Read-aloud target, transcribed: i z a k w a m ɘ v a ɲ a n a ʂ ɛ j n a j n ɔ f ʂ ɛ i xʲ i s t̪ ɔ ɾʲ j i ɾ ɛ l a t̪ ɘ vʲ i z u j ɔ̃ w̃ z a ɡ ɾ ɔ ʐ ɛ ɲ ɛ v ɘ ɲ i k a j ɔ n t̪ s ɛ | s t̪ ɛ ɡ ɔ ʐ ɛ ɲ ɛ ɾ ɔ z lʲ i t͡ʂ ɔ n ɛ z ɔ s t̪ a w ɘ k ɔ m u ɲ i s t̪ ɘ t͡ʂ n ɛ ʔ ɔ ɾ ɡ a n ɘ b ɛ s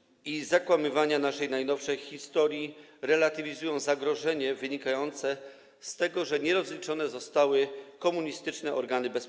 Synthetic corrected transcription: i z a k w a m ɘ v a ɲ a n a ʂ ɛ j n a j n ɔ f ʂ ɛ j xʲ i s t̪ ɔ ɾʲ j i ɾ ɛ l a t̪ ɘ vʲ i z u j ɔ̃ w̃ z a ɡ ɾ ɔ ʐ ɛ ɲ ɛ v ɘ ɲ i k a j ɔ n t̪ s ɛ | s t̪ ɛ ɡ ɔ ʐ ɛ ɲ ɛ ɾ ɔ z lʲ i t͡ʂ ɔ n ɛ z ɔ s t̪ a w ɘ k ɔ m u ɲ i s t̪ ɘ t͡ʂ n ɛ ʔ ɔ ɾ ɡ a n ɘ b ɛ s